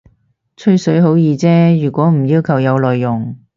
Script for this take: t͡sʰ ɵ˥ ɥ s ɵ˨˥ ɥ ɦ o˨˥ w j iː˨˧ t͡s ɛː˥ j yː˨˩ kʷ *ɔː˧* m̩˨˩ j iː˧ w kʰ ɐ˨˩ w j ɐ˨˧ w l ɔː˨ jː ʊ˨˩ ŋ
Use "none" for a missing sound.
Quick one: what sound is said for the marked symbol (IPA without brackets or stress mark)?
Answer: ɔː˨˥